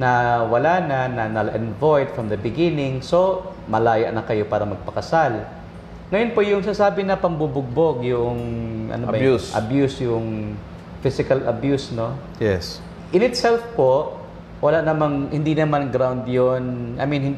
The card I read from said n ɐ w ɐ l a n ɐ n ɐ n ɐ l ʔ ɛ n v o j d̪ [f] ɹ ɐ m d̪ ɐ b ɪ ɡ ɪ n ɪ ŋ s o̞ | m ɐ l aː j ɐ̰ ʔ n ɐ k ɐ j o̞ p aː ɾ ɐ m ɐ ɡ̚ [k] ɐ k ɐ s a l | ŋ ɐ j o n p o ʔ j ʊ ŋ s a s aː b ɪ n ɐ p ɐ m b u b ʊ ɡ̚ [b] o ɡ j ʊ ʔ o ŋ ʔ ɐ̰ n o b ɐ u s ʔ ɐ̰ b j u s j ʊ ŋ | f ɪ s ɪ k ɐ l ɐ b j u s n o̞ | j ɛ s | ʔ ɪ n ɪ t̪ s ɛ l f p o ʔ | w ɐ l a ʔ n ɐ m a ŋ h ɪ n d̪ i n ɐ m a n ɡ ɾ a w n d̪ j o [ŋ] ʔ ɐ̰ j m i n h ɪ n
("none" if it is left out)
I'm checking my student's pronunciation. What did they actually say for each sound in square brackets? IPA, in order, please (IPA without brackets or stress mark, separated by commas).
f, p, b, n